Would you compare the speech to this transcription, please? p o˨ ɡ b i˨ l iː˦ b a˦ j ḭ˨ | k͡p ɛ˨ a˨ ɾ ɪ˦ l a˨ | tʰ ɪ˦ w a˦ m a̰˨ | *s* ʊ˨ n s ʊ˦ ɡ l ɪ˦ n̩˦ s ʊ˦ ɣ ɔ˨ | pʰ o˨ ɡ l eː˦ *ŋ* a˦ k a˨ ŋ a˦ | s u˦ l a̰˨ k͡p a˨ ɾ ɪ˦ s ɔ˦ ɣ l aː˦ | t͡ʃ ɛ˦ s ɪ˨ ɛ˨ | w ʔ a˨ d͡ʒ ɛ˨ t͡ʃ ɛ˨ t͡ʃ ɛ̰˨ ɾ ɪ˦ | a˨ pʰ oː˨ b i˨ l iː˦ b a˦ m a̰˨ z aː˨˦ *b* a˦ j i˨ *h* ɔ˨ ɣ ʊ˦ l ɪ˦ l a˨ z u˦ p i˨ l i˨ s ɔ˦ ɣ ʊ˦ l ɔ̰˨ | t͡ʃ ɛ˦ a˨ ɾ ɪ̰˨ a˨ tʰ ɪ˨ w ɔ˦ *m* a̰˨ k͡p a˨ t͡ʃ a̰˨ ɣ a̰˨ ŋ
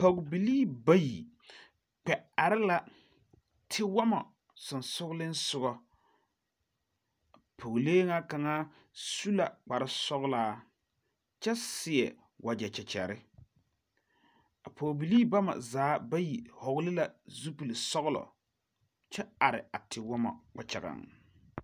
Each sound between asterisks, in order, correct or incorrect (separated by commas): correct, correct, correct, correct, correct